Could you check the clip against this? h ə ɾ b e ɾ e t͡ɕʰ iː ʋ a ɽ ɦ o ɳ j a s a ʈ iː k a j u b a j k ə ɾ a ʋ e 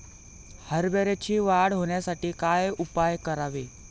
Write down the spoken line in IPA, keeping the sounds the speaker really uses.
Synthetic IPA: h ə ɾ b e ɾ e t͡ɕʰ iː ʋ a ɽ ɦ o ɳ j a s a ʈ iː k a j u p a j k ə ɾ a ʋ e